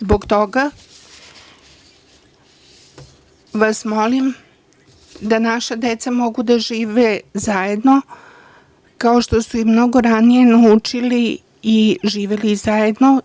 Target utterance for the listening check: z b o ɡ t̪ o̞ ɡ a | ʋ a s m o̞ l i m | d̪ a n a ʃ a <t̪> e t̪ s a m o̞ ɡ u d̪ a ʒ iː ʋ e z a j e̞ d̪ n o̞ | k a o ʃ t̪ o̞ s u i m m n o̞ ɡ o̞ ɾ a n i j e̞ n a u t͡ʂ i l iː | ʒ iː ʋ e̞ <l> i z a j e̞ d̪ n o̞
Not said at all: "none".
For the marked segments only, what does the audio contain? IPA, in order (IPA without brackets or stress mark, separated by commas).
d̪, l